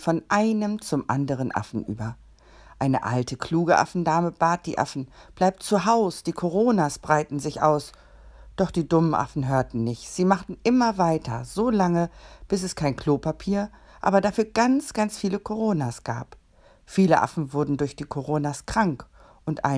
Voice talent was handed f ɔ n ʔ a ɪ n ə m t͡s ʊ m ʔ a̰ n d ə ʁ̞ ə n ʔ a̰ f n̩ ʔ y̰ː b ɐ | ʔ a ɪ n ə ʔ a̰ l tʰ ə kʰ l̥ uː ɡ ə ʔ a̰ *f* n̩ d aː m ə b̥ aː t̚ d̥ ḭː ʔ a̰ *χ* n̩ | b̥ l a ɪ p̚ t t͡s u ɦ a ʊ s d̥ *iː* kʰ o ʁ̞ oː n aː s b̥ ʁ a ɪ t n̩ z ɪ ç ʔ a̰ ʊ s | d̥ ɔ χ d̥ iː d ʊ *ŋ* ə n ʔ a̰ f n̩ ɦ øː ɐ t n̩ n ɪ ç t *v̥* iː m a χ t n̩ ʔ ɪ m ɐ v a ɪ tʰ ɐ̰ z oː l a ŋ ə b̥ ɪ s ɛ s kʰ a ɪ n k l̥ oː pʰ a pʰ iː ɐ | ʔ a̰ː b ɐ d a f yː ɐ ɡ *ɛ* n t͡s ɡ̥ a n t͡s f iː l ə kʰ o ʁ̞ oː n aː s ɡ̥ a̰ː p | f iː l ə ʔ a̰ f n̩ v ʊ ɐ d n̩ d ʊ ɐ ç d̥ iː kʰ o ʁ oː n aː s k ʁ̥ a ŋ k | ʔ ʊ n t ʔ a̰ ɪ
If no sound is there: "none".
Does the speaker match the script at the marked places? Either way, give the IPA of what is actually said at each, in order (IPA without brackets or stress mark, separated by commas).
f, f, iː, m, z̥, a